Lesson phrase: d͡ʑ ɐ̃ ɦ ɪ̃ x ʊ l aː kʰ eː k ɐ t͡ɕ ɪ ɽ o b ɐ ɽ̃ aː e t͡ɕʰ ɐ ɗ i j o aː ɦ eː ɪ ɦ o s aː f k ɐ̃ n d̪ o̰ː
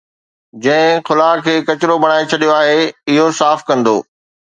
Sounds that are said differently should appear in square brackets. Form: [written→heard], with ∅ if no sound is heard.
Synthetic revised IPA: d͡ʑ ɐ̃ ɦ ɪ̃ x ʊ l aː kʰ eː k ɐ t͡ɕ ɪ [ɽ→ɾ] o b ɐ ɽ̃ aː e t͡ɕʰ ɐ ɗ i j o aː ɦ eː ɪ ɦ o s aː f k ɐ̃ n d̪ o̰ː